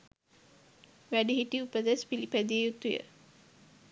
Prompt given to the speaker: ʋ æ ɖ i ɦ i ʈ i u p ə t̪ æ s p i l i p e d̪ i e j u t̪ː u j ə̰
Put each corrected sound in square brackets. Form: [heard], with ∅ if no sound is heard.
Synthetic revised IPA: ʋ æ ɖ i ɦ i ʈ i u p ə [d̪] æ s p i l i p [æ] d̪ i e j u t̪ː u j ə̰